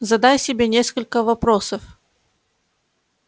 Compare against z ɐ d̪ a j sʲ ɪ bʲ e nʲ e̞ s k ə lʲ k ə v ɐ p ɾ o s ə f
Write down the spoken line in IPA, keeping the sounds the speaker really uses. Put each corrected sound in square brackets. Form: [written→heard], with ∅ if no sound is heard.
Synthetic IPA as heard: z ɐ d̪ a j sʲ ɪ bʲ e nʲ e̞ s k ə lʲ k ə v ɐ p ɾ o s ə f